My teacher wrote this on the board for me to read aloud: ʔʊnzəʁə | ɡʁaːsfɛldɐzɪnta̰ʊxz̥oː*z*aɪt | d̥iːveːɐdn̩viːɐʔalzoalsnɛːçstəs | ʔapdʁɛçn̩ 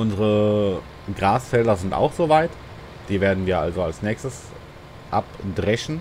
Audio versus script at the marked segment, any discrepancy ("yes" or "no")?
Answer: yes